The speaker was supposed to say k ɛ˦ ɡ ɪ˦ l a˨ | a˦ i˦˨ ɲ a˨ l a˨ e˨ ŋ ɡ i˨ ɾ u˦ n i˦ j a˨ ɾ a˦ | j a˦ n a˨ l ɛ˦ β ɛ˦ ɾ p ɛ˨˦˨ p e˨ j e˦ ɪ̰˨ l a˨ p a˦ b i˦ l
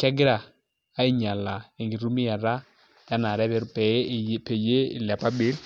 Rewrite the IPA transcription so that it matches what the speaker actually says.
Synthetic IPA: k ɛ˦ ɡ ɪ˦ ɾ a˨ | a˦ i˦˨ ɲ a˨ l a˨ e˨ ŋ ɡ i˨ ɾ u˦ m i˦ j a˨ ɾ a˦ | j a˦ n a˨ ɾ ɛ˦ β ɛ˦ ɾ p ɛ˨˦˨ p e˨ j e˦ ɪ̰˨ l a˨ p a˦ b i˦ l